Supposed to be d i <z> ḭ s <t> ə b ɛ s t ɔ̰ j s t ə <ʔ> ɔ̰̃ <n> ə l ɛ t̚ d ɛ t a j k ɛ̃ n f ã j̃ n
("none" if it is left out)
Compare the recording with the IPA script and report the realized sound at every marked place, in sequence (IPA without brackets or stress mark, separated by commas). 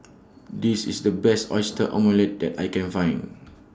s, d, ʔ, m